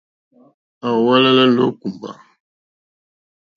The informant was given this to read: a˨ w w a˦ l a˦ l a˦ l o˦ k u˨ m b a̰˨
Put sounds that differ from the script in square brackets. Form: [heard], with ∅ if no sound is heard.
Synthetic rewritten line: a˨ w w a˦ l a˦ l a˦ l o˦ k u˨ m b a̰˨